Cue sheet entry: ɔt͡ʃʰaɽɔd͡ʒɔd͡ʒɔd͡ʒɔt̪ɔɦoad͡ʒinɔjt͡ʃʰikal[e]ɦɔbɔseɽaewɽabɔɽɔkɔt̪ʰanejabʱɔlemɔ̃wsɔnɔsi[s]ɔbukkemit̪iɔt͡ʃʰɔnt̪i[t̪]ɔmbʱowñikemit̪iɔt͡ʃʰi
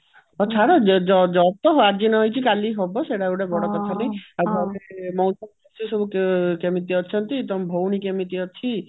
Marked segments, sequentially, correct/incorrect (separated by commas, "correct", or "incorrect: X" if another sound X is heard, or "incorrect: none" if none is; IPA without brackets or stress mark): incorrect: i, correct, correct